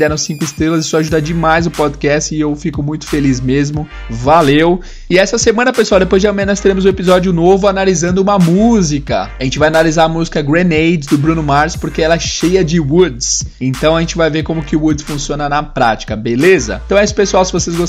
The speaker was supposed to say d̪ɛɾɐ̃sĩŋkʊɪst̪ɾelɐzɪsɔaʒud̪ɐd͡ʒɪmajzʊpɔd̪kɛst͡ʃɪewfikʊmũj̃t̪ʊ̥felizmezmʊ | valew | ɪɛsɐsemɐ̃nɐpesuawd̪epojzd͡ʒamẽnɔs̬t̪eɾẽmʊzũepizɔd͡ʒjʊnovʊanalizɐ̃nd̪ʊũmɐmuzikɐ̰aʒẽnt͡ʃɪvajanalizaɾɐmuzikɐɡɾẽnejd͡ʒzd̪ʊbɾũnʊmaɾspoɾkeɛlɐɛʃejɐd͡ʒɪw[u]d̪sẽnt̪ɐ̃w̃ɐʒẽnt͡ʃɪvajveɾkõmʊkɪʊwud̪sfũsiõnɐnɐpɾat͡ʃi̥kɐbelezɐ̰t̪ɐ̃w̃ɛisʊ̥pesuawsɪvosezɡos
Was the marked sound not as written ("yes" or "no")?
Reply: no